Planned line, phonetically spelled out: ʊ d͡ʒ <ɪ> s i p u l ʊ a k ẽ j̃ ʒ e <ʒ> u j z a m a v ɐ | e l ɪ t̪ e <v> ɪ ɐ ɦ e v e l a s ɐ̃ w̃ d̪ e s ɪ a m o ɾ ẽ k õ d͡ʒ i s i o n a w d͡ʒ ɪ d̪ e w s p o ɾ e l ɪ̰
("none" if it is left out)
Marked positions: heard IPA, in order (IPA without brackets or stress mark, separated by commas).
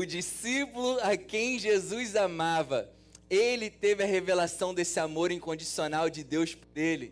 i, z, v